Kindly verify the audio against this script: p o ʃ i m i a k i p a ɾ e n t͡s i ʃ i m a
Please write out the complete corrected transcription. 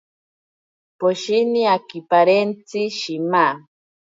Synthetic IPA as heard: p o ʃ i n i a k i p a ɾ e n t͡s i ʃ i m a